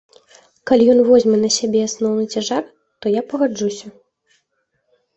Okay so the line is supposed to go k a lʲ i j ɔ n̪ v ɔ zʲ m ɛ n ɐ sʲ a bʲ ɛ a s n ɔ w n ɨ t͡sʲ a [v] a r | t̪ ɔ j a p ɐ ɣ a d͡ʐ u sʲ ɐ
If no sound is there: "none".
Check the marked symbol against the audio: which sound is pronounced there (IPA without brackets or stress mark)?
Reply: ʐ